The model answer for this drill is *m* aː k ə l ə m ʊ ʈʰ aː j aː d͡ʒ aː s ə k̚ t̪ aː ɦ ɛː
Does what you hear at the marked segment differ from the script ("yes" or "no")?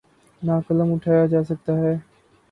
yes